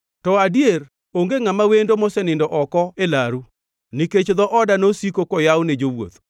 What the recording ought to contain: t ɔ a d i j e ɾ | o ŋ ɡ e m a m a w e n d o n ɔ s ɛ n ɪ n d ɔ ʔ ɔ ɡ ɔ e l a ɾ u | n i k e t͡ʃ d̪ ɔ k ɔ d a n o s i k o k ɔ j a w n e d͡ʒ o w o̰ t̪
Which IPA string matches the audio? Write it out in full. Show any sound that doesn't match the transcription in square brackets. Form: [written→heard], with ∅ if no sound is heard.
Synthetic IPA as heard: t ɔ a d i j e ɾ | o ŋ ɡ e [m→ŋ] a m a w e n d o [n→m] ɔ s ɛ n ɪ n d ɔ ʔ ɔ [ɡ→k] ɔ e l a ɾ u | n i k e t͡ʃ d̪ ɔ [k→ʔ] ɔ d a n o s i k o k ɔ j a w n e d͡ʒ o w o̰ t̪